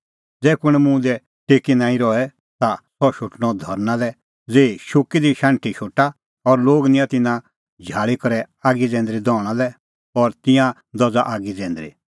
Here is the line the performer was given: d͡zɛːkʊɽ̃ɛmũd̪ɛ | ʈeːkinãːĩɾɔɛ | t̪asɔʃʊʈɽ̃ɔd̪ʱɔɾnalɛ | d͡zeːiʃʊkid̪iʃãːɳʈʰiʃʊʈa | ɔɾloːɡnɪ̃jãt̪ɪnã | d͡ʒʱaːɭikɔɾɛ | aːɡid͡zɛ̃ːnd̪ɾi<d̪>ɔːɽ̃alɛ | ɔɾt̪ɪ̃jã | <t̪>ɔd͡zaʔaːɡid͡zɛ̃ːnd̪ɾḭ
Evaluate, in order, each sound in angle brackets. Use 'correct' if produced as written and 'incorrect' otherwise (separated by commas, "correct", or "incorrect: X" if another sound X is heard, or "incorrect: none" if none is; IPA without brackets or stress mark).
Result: correct, incorrect: d̪